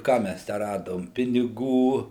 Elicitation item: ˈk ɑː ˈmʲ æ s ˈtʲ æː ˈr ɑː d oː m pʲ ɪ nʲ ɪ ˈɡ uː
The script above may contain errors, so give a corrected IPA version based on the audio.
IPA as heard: ˈk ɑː ˈmʲ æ s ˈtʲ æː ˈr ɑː d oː m pʲ ɪ nʲ ɪ ˈɡ uː